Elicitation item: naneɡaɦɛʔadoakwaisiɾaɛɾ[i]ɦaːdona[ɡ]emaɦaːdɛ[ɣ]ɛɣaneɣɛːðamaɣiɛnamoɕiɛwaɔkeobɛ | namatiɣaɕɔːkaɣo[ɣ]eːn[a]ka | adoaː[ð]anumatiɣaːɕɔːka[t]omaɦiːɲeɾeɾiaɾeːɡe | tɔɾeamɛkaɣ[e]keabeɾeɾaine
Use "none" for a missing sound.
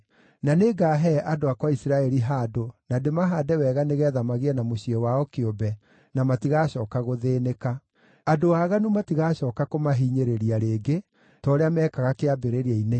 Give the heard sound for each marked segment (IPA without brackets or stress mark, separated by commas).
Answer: i, d, w, ð, e, ɣ, k, a